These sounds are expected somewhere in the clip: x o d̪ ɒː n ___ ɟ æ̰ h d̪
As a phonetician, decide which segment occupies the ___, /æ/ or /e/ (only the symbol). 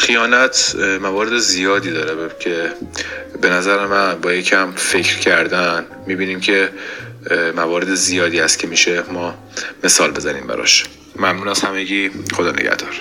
e